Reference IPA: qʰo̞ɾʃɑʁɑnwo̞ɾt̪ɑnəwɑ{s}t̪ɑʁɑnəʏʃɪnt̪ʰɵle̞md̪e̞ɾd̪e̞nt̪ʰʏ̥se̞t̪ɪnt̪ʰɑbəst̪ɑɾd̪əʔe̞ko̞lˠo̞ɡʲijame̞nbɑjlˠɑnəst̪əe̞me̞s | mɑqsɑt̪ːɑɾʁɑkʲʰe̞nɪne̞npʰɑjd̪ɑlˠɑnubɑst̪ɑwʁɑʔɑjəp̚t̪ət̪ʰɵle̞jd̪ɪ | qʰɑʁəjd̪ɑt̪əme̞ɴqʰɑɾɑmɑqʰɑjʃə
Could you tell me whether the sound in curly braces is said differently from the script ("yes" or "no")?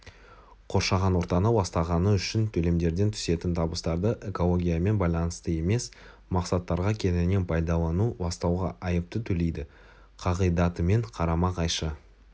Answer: no